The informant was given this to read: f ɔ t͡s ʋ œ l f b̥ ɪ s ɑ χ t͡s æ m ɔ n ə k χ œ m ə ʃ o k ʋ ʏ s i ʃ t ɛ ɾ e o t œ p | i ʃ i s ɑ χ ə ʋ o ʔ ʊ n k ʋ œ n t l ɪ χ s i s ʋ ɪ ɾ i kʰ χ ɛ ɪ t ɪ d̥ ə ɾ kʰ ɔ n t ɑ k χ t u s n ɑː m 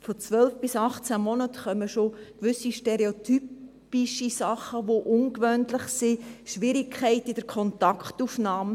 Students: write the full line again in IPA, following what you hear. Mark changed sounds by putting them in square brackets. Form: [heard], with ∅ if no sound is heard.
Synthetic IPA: f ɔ t͡s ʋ œ l f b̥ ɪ s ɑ χ t͡s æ m ɔ n ə [t] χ œ m ə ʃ o k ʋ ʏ s i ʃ t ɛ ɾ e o t [y] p | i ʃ i s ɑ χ ə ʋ o ʔ ʊ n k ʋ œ n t l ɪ χ s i [ʃ] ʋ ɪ ɾ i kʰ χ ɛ ɪ t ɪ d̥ ə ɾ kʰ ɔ n t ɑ k χ t u [f] n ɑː m